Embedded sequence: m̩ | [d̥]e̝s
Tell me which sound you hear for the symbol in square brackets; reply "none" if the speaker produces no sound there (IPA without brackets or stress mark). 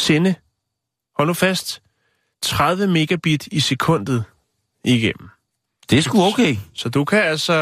d̥